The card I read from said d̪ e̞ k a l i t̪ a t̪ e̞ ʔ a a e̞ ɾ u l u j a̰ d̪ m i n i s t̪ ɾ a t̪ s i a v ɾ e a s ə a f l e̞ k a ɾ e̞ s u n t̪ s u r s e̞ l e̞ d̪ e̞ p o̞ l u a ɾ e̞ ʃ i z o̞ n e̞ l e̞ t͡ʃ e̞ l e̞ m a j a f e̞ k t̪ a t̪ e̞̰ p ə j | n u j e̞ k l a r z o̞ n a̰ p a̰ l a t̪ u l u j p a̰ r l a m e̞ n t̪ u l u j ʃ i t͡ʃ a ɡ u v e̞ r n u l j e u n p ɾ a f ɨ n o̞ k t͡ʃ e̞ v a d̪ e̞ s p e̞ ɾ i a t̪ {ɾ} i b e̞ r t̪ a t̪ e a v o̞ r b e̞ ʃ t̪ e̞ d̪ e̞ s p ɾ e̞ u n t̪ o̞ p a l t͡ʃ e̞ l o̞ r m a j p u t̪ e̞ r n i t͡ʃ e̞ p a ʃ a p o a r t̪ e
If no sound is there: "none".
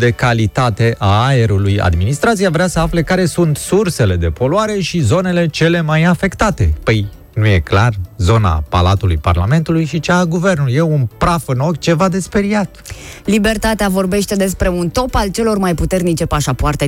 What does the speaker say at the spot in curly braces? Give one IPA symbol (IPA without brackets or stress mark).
l